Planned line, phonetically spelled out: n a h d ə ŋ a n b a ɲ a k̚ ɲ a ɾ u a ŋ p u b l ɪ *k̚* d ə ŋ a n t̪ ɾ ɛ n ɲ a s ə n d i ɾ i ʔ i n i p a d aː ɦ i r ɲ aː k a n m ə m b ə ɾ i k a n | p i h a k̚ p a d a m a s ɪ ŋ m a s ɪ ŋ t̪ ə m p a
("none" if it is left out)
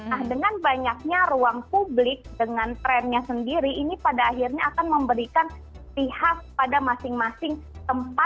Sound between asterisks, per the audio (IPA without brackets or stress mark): k̚